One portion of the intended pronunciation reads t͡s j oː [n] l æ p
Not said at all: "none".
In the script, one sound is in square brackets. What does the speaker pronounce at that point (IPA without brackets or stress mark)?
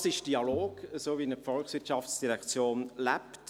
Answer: n